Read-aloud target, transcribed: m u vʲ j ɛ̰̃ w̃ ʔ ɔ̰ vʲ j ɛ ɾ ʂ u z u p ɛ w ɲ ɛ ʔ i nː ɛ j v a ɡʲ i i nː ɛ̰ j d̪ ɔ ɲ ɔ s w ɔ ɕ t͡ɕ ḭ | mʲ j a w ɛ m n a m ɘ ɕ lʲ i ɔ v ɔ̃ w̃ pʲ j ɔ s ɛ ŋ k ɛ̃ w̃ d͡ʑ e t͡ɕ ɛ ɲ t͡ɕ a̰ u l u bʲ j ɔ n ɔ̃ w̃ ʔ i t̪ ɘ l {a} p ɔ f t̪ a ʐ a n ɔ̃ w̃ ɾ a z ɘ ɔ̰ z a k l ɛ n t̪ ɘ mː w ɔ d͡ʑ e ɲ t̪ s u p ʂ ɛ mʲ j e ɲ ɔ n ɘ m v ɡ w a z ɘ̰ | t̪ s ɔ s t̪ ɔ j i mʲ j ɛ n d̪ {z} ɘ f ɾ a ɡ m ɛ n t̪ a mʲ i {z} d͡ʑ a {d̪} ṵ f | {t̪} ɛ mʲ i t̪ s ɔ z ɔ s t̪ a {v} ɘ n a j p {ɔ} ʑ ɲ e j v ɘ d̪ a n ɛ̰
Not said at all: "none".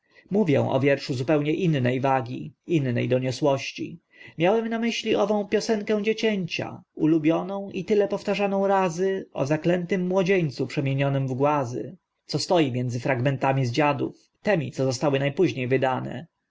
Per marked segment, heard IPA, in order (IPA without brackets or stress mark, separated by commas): ɛ, z, z, d̪, t̪, w, u